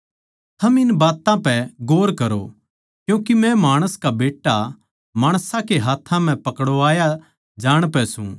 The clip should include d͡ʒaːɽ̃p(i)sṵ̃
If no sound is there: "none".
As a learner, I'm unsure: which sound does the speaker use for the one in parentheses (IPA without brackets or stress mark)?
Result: ɛ